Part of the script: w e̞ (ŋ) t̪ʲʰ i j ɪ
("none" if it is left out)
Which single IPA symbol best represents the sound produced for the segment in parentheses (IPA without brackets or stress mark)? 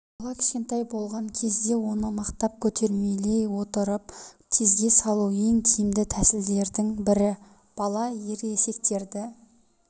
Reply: ŋ